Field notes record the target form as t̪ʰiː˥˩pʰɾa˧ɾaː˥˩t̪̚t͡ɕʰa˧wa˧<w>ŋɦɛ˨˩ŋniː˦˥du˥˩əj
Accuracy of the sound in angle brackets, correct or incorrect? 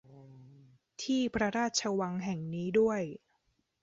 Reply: incorrect